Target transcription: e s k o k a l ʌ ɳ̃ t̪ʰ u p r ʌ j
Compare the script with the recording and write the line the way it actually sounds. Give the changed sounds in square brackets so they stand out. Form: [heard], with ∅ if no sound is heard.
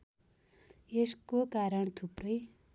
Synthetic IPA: e s k o k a [ɾ] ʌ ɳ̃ t̪ʰ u p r ʌ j